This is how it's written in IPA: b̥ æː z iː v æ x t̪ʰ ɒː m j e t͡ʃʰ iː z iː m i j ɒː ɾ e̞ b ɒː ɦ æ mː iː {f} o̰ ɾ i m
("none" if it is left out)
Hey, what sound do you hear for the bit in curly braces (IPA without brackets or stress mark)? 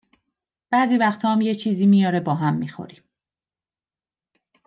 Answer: x